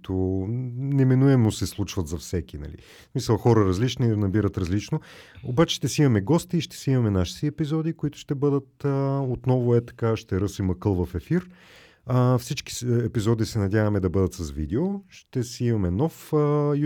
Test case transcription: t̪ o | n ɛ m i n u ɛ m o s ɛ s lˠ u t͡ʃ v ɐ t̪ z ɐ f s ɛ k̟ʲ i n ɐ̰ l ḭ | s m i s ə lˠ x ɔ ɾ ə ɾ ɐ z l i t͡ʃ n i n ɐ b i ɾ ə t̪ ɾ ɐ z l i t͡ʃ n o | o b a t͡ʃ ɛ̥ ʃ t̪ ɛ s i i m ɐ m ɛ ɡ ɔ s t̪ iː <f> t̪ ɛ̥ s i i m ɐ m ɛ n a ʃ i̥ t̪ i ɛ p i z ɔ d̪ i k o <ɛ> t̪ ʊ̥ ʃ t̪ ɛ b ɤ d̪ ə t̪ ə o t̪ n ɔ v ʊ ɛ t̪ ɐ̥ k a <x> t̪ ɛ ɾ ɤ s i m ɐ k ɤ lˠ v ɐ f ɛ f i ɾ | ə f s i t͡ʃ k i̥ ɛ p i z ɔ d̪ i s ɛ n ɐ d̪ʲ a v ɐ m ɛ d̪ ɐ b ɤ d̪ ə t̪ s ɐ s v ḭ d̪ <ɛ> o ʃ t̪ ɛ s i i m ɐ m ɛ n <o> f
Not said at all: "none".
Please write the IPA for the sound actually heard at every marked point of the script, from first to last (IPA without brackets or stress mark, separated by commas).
ʃ, i, ʃ, ɛ, ɔ